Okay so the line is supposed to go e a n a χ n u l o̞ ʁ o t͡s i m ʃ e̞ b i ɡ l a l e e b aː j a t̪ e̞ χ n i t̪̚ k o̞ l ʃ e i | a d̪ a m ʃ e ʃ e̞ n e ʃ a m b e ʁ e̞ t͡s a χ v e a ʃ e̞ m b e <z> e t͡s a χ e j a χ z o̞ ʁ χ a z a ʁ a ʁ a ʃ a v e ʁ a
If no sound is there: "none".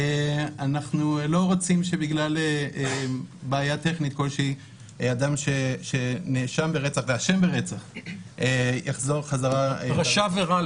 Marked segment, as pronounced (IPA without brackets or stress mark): ʁ